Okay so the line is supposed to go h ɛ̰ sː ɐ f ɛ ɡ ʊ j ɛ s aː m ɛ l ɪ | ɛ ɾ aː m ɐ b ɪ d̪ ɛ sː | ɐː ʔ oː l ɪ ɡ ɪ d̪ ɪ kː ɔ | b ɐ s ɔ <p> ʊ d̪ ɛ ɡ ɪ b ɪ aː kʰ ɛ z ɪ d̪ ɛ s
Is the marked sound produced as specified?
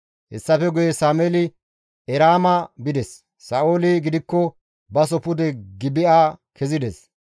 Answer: yes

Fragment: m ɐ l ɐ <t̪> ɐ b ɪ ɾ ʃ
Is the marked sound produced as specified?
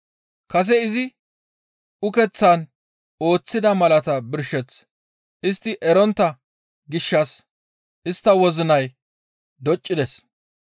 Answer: yes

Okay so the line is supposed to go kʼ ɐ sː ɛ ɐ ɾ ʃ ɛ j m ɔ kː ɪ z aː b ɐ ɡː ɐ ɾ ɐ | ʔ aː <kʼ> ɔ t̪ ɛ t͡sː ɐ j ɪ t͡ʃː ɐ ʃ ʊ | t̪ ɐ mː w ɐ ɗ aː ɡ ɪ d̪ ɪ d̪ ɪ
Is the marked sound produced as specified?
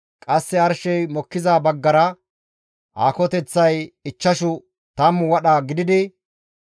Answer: no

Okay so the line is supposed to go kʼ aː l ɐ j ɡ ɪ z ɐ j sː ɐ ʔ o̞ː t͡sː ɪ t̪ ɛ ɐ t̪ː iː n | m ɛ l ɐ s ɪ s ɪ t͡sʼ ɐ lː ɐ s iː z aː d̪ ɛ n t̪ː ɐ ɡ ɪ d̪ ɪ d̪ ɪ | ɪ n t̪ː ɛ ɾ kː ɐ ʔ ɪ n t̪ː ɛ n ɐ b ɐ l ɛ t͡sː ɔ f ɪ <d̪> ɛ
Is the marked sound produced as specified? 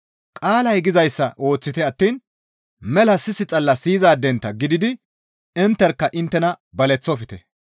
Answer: no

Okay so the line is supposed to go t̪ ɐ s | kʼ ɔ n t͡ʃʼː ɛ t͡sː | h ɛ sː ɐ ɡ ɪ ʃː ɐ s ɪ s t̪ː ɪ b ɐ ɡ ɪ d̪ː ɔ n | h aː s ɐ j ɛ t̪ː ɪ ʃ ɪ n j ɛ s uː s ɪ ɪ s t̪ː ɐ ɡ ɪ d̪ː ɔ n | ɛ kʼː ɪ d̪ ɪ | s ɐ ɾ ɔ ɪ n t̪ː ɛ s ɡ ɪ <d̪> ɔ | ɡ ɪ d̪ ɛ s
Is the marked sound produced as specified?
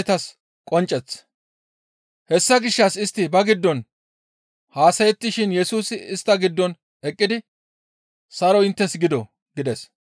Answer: yes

